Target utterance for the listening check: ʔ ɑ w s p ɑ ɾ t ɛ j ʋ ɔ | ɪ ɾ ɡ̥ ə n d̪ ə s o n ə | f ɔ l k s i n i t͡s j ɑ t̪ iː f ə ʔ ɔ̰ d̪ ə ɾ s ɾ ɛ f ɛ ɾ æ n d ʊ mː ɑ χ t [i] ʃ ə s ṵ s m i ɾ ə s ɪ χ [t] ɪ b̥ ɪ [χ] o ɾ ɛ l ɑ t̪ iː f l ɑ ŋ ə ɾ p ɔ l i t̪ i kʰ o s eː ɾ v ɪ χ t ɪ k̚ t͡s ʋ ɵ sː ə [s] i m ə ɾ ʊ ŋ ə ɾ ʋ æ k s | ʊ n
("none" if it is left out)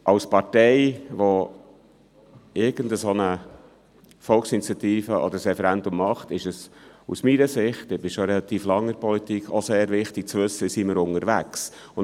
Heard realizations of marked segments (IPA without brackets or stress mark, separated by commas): ɪ, t, ʃ, s